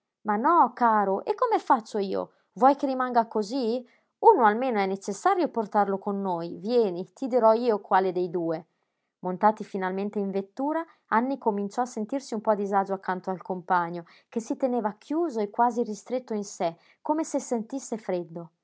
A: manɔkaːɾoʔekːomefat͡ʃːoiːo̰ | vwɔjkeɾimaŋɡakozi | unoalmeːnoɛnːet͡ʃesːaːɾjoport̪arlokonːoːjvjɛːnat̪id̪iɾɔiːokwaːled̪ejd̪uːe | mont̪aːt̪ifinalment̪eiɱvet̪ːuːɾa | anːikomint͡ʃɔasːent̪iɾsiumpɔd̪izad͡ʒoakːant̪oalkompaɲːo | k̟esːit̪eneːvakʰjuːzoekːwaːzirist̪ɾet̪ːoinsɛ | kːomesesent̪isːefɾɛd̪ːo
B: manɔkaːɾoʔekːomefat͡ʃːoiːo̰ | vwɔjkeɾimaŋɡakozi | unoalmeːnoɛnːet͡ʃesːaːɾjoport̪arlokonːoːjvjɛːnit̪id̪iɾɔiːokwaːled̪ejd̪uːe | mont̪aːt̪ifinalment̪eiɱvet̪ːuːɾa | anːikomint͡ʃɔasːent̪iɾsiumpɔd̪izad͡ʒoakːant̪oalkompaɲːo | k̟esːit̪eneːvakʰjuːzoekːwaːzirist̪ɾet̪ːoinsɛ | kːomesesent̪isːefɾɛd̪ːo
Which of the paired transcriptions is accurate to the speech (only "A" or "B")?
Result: B